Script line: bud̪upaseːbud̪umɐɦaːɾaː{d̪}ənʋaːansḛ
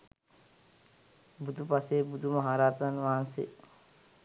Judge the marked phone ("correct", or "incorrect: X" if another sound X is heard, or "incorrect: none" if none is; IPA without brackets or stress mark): incorrect: t̪